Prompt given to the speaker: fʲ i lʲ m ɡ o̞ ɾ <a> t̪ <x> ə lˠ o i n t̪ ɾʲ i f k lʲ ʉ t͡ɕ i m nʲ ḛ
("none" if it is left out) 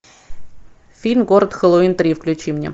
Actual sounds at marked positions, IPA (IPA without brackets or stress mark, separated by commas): ə, x